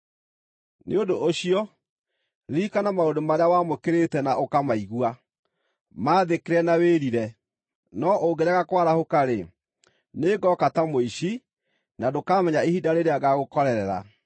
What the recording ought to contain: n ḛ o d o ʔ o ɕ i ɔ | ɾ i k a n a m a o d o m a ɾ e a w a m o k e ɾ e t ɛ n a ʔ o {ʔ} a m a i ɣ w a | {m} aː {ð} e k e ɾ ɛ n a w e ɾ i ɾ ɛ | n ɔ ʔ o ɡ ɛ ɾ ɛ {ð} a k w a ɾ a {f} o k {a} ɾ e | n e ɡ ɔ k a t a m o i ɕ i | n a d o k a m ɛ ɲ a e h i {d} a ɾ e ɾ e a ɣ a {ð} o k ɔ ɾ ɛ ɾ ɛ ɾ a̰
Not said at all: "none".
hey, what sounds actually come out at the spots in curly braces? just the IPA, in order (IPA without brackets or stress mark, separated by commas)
k, m, ð, ɣ, h, a, d, ɣ